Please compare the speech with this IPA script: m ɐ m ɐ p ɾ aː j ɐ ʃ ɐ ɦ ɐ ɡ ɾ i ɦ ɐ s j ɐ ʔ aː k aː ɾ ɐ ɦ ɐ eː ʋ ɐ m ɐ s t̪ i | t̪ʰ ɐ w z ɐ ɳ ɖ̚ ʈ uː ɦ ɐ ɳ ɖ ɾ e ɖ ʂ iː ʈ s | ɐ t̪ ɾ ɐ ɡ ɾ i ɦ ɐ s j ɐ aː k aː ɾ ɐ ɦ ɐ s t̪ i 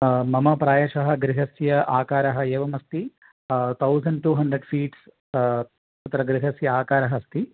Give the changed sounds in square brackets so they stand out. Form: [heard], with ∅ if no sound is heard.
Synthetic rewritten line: m ɐ m ɐ p ɾ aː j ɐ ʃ ɐ ɦ ɐ ɡ ɾ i ɦ ɐ s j ɐ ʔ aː k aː ɾ ɐ ɦ ɐ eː ʋ ɐ m ɐ s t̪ i | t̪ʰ ɐ w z ɐ ɳ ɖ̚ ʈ uː ɦ ɐ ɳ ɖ ɾ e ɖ [f] iː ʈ s | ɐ t̪ ɾ ɐ ɡ ɾ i ɦ ɐ s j ɐ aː k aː ɾ ɐ ɦ ɐ s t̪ i